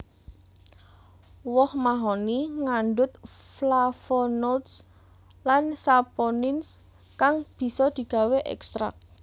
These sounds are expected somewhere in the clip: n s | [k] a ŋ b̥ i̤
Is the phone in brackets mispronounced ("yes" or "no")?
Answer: no